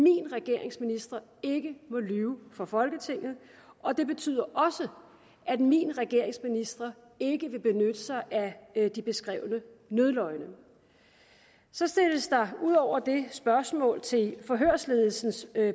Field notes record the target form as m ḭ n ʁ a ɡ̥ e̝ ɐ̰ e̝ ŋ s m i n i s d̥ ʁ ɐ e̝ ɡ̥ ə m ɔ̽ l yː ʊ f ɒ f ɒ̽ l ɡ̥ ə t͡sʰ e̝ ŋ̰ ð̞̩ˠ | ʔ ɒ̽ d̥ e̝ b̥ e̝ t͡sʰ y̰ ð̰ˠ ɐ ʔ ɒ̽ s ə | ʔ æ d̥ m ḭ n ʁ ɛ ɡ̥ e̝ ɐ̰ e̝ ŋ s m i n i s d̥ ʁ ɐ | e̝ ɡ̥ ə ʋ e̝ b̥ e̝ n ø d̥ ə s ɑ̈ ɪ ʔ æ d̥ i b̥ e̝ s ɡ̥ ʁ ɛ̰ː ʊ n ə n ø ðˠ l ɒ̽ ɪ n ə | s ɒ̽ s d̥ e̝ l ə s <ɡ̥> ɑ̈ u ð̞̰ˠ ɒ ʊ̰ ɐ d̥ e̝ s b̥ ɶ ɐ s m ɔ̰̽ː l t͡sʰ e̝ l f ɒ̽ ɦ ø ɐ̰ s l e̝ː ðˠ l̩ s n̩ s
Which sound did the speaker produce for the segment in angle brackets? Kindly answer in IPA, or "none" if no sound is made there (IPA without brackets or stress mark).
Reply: d̥